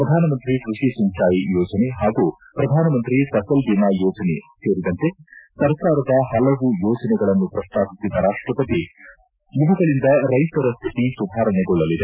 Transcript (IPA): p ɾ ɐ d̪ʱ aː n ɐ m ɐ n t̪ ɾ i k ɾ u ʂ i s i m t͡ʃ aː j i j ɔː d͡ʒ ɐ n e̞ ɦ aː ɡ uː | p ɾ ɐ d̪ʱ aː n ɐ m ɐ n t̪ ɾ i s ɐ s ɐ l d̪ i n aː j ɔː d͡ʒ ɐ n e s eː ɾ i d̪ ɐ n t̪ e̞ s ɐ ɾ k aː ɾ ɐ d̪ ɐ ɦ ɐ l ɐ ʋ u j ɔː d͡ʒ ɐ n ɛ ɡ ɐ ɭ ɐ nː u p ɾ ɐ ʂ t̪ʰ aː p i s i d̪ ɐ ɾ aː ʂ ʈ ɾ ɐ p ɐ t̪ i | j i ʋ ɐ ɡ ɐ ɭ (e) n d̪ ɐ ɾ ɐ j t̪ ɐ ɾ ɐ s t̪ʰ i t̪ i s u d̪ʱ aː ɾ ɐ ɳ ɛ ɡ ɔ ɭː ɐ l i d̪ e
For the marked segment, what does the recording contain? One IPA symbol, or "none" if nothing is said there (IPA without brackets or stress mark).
i